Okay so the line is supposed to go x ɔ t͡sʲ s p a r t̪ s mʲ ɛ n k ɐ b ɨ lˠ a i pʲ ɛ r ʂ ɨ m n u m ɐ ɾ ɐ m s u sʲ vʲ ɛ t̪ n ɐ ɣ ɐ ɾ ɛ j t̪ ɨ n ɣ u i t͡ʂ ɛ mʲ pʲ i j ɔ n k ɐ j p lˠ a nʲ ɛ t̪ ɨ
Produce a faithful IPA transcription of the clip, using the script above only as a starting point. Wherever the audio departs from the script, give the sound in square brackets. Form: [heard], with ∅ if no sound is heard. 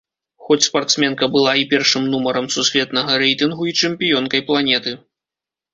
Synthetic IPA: x ɔ t͡sʲ s p a r t̪ s mʲ ɛ n k ɐ b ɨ lˠ a i pʲ ɛ r ʂ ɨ m n u m ɐ ɾ ɐ m s u sʲ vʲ ɛ t̪ n ɐ ɣ ɐ ɾ ɛ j t̪ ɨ n ɣ u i t͡ʂ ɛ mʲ pʲ i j ɔ n k ɐ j p lˠ a nʲ ɛ t̪ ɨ